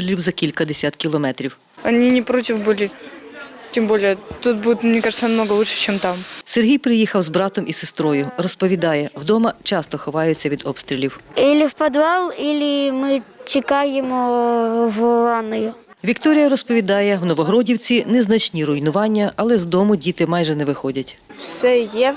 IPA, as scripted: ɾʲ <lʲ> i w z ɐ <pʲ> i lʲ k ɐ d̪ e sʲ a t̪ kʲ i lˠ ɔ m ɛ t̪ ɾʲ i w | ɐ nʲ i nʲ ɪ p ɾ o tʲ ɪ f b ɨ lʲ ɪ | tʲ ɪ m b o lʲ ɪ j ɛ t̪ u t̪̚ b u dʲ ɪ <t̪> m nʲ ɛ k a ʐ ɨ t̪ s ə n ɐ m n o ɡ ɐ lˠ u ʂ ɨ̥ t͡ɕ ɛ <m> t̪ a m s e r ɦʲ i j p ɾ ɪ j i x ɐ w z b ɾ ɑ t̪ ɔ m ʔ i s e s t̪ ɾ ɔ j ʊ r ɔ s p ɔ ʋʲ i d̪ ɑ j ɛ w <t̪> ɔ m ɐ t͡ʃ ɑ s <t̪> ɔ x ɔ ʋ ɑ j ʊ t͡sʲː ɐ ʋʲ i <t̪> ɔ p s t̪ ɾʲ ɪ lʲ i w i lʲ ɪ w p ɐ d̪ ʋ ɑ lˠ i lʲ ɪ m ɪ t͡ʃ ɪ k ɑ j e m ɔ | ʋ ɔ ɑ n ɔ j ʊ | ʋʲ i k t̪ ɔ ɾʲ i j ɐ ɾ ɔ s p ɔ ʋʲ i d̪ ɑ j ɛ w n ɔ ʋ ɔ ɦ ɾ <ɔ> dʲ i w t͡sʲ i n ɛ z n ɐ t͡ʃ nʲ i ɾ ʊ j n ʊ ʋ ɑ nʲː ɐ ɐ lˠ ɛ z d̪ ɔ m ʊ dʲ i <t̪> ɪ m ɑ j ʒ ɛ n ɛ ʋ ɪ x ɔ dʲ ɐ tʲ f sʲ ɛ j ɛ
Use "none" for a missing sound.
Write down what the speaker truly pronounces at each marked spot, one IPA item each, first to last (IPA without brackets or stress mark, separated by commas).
lʲ, kʲ, t̪, m, d̪, t̪, d̪, ɔ, t̪